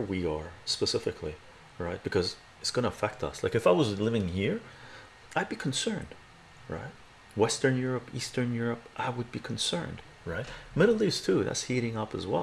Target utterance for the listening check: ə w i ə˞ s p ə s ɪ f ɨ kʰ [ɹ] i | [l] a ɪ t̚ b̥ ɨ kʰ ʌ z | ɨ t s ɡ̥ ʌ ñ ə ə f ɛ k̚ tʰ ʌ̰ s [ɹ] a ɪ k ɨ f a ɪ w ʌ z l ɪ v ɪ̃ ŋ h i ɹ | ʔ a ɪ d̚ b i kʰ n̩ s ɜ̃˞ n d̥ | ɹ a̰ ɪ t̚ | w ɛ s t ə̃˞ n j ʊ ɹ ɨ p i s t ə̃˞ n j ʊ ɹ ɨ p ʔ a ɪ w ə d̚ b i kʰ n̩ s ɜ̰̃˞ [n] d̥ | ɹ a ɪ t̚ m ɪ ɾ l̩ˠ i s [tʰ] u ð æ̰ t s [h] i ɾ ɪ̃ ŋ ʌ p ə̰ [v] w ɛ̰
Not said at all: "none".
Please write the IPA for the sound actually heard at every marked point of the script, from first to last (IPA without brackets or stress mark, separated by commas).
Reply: l, ɹ, l, n, tʰ, h, z